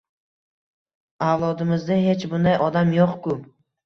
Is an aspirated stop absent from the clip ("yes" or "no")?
yes